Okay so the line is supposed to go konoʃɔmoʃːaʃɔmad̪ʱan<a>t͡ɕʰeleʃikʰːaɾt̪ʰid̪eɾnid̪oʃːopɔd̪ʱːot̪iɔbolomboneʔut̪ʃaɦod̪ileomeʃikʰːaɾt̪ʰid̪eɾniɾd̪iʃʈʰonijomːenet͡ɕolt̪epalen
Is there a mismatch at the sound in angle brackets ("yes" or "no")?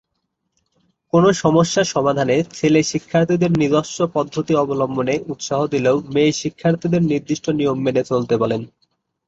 yes